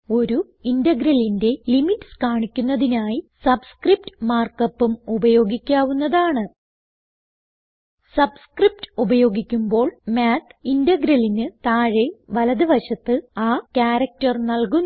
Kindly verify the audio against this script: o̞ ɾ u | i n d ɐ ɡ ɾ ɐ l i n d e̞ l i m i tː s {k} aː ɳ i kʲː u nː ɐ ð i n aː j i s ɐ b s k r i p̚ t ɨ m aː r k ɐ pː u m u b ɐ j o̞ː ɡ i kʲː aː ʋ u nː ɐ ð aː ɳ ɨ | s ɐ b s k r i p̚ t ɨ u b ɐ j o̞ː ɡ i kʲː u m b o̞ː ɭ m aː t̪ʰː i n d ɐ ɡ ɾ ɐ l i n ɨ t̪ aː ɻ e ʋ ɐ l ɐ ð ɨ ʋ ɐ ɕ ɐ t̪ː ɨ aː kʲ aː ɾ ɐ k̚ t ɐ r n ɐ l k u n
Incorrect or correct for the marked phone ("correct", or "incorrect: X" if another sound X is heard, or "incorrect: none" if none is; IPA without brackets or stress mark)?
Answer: correct